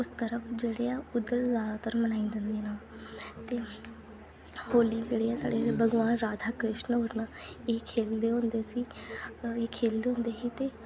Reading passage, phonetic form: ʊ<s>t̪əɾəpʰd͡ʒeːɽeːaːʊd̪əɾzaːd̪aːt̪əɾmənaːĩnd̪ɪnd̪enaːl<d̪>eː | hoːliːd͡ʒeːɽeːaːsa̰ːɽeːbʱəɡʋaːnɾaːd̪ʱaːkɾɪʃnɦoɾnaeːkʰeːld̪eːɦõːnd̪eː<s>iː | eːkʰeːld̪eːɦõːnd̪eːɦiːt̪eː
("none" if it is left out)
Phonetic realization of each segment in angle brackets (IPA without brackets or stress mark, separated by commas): s, t̪, s